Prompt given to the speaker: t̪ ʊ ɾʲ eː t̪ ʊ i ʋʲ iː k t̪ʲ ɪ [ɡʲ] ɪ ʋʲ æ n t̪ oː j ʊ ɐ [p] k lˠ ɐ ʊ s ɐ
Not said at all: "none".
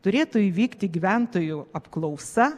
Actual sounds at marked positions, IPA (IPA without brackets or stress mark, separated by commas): ɡʲ, p